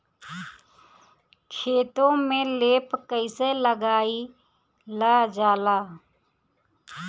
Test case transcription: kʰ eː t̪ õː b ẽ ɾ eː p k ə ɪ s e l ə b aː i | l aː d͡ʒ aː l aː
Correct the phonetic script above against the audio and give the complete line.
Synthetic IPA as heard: kʰ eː t̪ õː m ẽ l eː p k ə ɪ s e l ə ɡ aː i | l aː d͡ʒ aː l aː